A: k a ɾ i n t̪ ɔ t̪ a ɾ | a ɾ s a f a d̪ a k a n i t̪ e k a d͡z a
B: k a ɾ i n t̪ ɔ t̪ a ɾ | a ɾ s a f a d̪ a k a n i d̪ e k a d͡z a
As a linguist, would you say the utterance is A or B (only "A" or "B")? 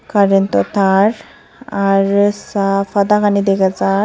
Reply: B